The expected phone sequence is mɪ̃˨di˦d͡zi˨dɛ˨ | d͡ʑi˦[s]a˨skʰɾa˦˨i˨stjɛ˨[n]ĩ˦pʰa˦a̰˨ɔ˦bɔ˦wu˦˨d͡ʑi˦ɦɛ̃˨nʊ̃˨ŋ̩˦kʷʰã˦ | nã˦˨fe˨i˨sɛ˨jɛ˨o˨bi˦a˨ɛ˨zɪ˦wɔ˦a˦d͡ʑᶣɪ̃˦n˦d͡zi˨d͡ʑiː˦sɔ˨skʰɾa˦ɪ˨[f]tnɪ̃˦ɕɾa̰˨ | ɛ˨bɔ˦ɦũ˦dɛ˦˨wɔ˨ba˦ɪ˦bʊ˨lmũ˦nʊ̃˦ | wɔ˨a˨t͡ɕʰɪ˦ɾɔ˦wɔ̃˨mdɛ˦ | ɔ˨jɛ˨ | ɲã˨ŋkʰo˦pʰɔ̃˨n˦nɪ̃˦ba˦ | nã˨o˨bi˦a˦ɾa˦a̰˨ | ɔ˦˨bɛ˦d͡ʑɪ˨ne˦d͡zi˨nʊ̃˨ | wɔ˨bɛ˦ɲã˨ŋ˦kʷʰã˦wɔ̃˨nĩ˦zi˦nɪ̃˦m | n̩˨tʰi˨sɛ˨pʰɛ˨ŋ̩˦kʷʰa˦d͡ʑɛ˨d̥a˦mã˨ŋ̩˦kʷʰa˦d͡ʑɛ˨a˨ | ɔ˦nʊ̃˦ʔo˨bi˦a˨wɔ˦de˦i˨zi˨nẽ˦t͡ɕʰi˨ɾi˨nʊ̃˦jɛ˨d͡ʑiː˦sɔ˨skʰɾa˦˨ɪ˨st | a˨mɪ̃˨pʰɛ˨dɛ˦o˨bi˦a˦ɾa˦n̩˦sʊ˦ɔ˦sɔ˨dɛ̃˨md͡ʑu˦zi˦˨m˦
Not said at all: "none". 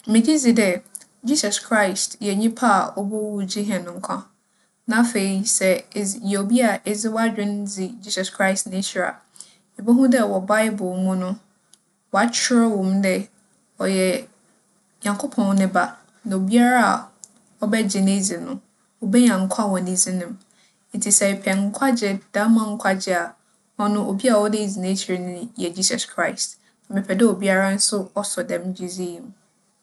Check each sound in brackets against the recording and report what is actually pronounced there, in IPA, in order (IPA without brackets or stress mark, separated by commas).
s, ɲ, s